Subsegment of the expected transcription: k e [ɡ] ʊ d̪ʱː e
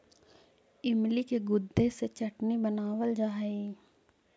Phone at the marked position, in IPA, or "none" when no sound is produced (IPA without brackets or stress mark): ɡ